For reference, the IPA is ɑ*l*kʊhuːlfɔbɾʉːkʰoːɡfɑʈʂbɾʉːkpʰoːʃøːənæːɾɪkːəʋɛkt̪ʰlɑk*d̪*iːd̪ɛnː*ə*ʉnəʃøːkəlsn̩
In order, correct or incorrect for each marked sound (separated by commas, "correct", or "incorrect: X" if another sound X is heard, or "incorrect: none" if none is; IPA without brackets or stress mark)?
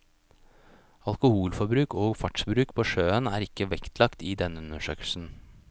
correct, incorrect: t̪, correct